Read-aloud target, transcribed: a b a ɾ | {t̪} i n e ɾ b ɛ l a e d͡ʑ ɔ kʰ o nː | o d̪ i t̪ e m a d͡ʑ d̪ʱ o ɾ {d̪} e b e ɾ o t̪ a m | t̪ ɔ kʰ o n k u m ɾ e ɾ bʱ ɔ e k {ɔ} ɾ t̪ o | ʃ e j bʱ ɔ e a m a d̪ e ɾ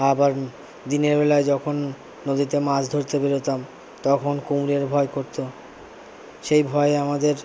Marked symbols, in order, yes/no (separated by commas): no, no, no